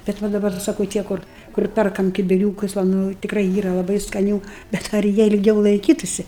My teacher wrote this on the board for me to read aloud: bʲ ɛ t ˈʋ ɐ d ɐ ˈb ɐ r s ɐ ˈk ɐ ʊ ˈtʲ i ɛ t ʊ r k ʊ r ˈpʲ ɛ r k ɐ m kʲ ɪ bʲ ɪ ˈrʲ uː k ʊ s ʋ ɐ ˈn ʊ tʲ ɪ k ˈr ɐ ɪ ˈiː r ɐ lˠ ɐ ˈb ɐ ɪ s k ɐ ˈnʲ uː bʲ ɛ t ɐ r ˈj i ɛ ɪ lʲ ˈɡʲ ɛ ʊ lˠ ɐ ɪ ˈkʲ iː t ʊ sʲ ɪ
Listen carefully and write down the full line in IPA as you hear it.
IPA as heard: bʲ ɛ t ˈʋ ɐ d ɐ ˈb ɐ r s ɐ ˈk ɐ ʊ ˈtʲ i ɛ k ʊ r k ʊ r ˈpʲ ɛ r k ɐ m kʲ ɪ bʲ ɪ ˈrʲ uː k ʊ s ʋ ɐ ˈn ʊ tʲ ɪ k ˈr ɐ ɪ ˈiː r ɐ lˠ ɐ ˈb ɐ ɪ s k ɐ ˈnʲ uː bʲ ɛ t ɐ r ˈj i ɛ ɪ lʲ ˈɡʲ ɛ ʊ lˠ ɐ ɪ ˈkʲ iː t ʊ sʲ ɪ